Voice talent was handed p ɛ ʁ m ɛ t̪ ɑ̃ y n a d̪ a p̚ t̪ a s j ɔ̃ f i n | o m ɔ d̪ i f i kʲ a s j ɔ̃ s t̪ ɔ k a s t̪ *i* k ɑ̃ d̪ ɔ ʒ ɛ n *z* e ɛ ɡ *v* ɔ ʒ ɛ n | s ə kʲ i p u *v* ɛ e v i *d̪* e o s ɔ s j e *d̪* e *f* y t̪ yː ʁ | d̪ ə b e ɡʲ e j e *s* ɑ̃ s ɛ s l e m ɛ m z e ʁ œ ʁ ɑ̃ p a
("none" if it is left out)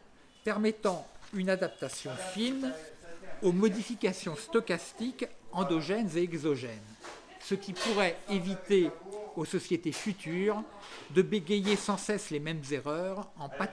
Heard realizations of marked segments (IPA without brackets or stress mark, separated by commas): i, z, z, ʁ, t̪, t̪, f, s